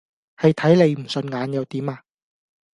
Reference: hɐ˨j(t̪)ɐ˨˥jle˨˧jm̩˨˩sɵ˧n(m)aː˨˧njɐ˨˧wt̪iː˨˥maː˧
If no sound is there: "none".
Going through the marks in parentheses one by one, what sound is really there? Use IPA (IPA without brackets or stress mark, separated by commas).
t̪ʰ, ŋ